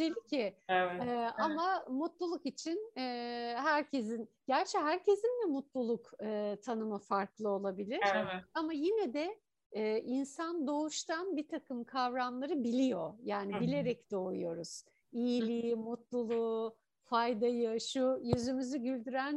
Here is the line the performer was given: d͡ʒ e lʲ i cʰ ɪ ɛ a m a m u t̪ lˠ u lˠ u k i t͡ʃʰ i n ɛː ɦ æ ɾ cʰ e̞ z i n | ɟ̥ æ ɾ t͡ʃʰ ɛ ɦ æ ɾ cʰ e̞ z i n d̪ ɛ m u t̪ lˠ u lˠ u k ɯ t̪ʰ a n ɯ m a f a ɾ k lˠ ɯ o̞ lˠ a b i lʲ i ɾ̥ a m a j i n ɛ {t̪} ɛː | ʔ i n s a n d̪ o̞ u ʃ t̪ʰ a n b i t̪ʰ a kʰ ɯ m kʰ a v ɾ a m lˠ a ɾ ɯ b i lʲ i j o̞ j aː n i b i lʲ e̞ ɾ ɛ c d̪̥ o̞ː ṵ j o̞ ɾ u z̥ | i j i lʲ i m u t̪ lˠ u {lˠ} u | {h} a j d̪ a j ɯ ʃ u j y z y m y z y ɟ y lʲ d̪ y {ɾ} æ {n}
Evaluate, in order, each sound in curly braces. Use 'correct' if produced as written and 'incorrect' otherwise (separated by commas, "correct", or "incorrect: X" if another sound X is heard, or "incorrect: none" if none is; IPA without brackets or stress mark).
incorrect: d̪, correct, incorrect: f, correct, correct